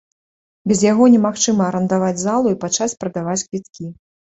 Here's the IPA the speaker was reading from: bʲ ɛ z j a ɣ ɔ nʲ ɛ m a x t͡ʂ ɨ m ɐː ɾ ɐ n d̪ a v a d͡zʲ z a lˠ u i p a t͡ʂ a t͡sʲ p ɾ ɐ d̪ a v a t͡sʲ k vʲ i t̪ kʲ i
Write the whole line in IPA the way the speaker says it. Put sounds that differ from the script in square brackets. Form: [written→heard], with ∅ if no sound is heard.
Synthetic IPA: bʲ ɛ z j a ɣ ɔ nʲ ɛ m a x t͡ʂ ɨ m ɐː ɾ ɐ n d̪ a v a d͡zʲ z a lˠ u i p a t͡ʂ a t͡sʲ p ɾ ɐ d̪ a v a t͡sʲ k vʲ i t̪ kʲ i

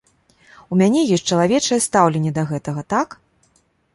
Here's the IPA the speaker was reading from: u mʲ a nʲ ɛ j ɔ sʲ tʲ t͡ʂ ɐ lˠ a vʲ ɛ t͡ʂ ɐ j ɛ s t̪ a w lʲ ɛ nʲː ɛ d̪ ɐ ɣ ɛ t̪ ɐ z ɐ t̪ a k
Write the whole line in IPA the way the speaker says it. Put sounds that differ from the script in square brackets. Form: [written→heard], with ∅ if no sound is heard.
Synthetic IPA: u mʲ a nʲ ɛ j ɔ sʲ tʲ t͡ʂ ɐ lˠ a vʲ ɛ t͡ʂ ɐ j ɛ s t̪ a w lʲ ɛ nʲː ɛ d̪ ɐ ɣ ɛ t̪ ɐ [z→ɣ] ɐ t̪ a k

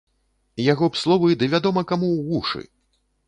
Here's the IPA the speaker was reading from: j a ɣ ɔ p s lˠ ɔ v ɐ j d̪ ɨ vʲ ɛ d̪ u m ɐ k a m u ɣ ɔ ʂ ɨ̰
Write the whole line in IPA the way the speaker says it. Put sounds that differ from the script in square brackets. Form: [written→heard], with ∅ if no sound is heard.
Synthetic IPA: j a ɣ ɔ p s lˠ ɔ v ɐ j d̪ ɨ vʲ [ɛ→a] d̪ [u→ɔ] m ɐ k a m u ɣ [ɔ→u] ʂ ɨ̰

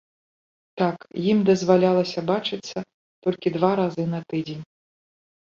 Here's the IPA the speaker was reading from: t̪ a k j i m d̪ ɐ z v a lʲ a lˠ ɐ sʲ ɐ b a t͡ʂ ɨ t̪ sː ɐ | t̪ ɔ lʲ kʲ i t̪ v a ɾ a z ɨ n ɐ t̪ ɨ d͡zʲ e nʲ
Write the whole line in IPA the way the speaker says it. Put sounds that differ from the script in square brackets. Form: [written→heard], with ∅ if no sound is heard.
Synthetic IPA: t̪ a k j i m d̪ ɐ z v a lʲ a lˠ ɐ sʲ ɐ b a t͡ʂ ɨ t̪ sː ɐ | t̪ ɔ lʲ kʲ i [t̪→d̪] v a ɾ a z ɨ n ɐ t̪ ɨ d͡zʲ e nʲ

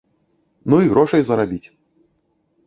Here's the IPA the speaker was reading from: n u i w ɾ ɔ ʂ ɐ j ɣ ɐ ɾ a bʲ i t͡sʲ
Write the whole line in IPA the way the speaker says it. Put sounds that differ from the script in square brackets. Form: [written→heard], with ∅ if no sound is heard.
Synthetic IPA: n u i [w→ɣ] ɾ ɔ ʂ ɐ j [ɣ→z] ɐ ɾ a bʲ i t͡sʲ

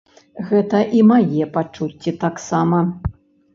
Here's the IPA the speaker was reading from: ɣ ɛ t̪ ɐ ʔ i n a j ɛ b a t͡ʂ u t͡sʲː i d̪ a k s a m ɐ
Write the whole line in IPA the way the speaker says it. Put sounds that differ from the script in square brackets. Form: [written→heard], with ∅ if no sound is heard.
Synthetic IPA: ɣ ɛ t̪ ɐ ʔ i [n→m] a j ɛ [b→p] a t͡ʂ u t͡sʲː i [d̪→t̪] a k s a m ɐ

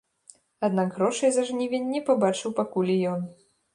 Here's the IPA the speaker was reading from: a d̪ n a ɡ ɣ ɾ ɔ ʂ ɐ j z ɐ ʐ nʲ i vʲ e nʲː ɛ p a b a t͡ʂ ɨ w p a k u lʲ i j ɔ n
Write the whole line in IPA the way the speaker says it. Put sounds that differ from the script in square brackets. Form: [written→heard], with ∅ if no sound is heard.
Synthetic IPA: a d̪ n a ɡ ɣ ɾ ɔ ʂ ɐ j z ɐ ʐ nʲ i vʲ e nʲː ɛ p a b a t͡ʂ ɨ w p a k u lʲ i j ɔ n

